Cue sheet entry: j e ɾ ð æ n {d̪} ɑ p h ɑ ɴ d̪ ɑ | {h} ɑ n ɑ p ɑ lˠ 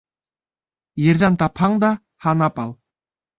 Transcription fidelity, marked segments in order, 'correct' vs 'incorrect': incorrect: t̪, correct

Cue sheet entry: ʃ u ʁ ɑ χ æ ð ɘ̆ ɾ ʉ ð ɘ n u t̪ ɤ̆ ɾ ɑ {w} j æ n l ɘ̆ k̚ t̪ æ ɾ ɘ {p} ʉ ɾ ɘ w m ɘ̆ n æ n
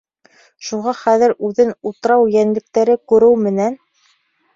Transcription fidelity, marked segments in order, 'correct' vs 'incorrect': correct, incorrect: k

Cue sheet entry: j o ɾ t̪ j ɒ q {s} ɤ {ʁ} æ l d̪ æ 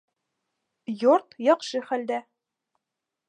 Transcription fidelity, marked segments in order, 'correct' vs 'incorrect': incorrect: ʃ, incorrect: χ

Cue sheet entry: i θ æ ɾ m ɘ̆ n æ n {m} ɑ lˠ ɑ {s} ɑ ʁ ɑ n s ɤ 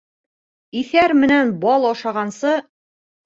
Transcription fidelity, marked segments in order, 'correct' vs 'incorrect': incorrect: b, incorrect: ʃ

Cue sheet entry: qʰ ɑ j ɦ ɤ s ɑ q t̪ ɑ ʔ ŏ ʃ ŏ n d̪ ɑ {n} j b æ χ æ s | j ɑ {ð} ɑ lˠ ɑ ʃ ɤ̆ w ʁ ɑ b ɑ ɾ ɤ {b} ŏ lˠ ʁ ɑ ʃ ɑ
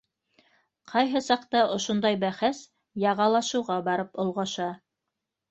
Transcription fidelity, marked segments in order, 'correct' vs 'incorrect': incorrect: none, incorrect: ʁ, incorrect: p

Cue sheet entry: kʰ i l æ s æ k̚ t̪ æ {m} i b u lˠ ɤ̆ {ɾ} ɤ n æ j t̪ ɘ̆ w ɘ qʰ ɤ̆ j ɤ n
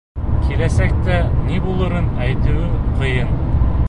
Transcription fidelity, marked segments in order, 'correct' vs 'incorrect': incorrect: n, correct

